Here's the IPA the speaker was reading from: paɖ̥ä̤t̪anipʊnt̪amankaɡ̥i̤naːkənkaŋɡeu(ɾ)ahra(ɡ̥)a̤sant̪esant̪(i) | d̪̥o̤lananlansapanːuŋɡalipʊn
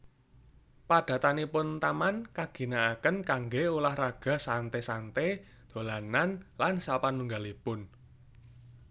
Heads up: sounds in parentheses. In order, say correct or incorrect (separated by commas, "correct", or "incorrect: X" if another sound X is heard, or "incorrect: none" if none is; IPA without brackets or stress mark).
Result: incorrect: l, correct, incorrect: e